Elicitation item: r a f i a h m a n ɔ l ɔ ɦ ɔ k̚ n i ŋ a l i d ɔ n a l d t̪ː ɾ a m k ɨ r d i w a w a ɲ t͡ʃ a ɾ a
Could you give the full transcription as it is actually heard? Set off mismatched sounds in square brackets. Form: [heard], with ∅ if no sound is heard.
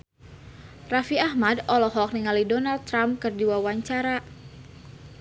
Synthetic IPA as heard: r a f i a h m a [d] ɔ l ɔ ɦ ɔ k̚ n i ŋ a l i d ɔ n a l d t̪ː ɾ a m k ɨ r d i w a w a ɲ t͡ʃ a ɾ a